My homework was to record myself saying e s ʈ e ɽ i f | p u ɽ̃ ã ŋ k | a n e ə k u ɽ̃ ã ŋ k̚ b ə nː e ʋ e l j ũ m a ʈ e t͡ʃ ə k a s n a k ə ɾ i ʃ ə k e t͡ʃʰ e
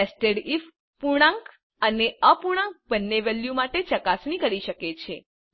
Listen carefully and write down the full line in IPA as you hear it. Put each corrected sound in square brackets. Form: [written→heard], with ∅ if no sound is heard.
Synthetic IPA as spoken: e s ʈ e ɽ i f | p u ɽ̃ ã ŋ k | [a→ə] n e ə [k→p] u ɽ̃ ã ŋ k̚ b ə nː e ʋ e l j [ũ→u] m a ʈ e t͡ʃ ə k a s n [a→i] k ə ɾ i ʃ ə k e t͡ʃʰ e